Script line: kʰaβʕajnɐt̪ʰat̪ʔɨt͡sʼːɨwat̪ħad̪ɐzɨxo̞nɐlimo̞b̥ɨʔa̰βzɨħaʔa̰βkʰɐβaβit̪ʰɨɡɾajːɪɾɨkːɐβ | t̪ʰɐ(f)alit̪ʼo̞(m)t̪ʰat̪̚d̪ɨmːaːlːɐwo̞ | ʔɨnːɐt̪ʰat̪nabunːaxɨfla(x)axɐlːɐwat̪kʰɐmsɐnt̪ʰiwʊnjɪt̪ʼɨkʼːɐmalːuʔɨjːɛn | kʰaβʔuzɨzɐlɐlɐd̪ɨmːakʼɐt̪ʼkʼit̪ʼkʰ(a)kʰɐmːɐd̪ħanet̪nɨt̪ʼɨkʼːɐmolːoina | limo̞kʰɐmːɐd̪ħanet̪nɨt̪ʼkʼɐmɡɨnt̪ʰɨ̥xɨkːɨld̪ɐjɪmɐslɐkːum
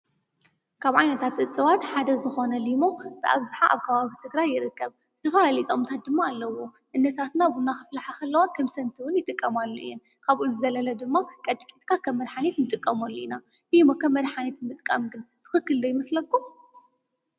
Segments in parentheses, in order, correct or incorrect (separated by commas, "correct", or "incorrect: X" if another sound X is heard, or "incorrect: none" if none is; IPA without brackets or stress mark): correct, correct, incorrect: ħ, correct